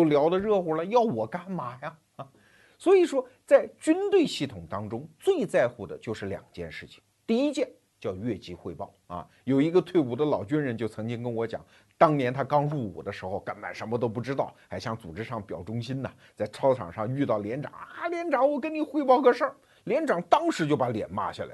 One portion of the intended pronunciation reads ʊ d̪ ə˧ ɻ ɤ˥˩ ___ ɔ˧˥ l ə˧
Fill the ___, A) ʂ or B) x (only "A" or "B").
B